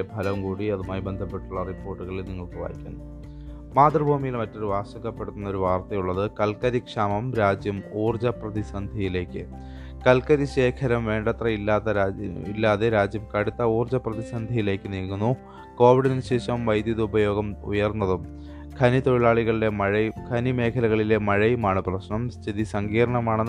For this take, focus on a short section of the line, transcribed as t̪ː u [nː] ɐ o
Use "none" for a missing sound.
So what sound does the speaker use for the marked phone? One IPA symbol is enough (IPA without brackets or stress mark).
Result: nː